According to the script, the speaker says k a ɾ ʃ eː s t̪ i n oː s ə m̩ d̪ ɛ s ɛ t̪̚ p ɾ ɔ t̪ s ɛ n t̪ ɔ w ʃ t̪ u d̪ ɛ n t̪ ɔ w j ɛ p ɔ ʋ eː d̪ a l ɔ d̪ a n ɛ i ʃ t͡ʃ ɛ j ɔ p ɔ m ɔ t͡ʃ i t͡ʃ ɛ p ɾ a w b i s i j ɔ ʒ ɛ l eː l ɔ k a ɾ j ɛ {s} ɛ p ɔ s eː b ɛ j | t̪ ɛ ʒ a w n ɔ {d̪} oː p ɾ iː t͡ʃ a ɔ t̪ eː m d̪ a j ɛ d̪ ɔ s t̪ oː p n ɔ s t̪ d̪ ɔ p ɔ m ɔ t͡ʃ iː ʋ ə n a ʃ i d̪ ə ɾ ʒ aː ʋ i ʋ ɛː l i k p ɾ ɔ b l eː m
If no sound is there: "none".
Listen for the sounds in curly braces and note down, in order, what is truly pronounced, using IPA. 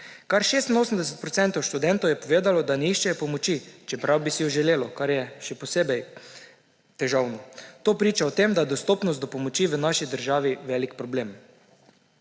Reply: ʃ, t̪

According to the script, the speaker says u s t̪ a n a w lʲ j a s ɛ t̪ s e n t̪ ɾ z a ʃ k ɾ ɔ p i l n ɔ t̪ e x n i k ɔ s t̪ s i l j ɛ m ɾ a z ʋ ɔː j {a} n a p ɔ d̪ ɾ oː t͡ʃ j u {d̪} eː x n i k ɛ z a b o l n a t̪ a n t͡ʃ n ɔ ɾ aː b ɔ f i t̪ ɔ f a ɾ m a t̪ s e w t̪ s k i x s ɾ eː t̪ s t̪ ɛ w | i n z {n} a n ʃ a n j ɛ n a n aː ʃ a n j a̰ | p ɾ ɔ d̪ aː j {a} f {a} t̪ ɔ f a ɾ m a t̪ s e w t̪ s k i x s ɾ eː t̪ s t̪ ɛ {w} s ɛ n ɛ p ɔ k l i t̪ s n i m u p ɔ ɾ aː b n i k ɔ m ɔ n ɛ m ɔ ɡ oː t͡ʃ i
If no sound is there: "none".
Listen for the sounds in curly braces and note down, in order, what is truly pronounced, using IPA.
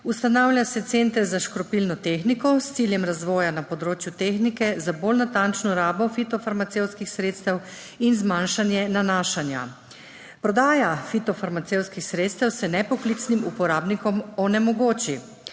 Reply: a, t̪, m, a, i, w

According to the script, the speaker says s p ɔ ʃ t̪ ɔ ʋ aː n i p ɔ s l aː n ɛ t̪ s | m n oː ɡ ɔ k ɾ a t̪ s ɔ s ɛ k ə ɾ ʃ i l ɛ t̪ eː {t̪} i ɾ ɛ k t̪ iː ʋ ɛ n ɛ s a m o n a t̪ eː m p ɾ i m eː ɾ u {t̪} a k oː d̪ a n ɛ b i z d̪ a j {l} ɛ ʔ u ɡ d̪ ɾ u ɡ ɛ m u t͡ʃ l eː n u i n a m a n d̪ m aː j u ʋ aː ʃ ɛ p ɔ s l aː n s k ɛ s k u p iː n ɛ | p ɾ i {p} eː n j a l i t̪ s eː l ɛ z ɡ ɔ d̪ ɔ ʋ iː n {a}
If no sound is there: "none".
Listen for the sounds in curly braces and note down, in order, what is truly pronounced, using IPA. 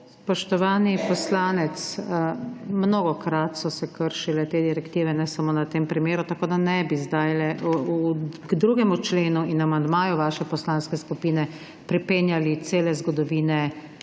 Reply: d̪, t̪, l, p, ɛ

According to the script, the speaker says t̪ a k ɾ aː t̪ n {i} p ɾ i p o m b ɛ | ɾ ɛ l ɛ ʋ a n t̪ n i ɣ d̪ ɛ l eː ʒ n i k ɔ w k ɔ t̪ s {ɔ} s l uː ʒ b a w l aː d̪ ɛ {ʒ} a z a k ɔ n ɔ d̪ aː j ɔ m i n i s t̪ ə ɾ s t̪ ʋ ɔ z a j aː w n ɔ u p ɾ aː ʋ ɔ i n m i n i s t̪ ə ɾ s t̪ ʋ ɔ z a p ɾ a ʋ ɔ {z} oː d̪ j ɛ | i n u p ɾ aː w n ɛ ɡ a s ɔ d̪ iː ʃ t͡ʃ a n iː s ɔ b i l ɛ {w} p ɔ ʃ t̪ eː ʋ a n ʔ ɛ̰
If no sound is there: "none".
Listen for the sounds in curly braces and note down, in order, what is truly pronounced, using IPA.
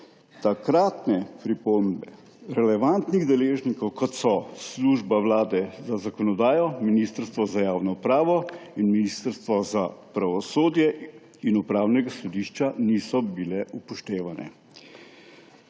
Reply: ɛ, ɔ, z, s, u

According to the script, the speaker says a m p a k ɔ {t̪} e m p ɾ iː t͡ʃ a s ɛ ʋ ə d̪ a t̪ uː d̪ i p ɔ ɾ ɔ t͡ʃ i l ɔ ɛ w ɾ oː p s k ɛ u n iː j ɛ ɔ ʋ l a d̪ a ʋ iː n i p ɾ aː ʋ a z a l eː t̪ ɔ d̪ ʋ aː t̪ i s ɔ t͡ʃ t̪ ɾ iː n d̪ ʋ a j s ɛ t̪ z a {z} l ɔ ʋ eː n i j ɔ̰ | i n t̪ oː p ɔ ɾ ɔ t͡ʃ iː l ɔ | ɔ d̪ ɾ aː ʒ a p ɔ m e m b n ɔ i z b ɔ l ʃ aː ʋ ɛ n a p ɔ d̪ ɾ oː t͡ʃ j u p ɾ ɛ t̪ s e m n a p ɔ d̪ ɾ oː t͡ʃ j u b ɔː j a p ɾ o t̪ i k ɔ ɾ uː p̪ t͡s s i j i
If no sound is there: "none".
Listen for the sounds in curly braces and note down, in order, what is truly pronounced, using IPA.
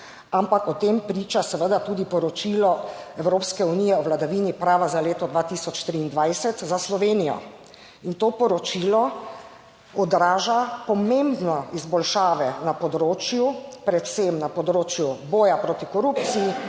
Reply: t̪, s

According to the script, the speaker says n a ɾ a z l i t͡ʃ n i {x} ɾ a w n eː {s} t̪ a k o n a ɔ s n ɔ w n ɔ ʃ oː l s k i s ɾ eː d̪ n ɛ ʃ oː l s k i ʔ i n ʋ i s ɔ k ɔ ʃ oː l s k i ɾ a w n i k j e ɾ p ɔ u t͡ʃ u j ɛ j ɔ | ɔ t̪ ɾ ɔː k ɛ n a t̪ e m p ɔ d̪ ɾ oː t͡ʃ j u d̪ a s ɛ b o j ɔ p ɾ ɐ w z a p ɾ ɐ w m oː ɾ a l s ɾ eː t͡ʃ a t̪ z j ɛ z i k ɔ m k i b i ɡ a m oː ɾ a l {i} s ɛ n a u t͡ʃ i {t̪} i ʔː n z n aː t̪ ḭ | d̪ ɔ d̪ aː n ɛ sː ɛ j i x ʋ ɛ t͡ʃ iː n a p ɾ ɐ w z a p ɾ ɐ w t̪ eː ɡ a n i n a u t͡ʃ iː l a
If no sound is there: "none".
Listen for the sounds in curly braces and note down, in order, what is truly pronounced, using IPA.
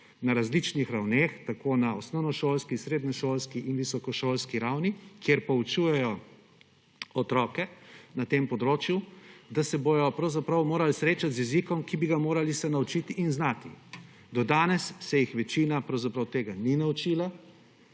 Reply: x, x, i, t̪

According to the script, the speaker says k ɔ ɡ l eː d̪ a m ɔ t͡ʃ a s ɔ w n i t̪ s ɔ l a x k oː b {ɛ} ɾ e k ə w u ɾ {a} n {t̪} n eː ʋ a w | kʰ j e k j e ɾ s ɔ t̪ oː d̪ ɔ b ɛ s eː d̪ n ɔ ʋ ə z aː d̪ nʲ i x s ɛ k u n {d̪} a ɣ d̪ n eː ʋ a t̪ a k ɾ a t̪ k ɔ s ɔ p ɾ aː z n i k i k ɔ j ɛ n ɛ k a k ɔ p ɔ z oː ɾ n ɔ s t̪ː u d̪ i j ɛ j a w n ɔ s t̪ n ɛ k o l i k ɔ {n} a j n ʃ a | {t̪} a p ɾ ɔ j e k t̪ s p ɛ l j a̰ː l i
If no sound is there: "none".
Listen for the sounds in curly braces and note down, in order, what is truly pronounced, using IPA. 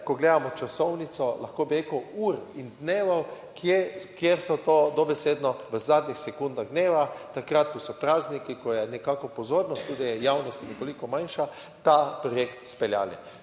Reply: i, i, d̪, d̪, m, t̪

